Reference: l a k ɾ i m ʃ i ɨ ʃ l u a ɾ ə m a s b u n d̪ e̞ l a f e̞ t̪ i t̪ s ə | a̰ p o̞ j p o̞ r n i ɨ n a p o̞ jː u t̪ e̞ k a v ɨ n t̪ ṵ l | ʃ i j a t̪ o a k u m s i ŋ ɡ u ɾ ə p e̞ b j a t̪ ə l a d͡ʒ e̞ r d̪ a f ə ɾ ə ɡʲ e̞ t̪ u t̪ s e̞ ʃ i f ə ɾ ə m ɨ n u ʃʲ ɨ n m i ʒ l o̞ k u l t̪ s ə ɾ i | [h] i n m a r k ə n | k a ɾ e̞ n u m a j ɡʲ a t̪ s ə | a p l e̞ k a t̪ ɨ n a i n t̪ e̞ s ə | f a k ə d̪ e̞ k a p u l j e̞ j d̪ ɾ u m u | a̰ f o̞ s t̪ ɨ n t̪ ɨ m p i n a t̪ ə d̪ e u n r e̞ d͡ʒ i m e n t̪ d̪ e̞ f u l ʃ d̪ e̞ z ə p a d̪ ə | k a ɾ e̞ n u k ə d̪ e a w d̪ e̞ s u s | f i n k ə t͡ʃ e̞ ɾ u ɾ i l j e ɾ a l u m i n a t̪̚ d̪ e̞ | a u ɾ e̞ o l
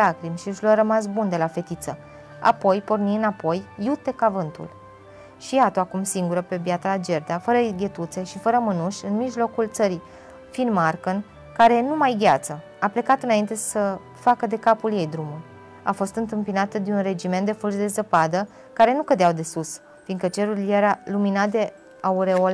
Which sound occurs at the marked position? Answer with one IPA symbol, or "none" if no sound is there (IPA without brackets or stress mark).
f